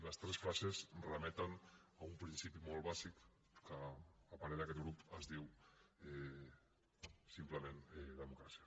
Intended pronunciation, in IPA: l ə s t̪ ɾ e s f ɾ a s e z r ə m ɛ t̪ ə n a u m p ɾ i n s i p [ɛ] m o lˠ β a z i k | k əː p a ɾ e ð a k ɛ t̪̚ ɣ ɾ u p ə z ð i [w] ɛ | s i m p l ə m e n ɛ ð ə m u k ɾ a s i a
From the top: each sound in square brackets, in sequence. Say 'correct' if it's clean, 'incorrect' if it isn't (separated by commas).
incorrect, correct